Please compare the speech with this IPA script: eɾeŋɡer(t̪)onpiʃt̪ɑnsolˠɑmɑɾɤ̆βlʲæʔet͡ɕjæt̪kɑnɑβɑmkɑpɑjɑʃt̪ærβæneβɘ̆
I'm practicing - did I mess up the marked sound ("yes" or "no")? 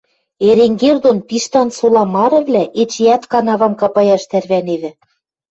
yes